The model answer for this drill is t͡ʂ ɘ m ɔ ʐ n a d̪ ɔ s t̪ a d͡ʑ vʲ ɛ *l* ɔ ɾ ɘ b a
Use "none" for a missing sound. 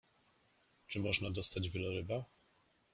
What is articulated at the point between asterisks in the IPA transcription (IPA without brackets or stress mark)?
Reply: l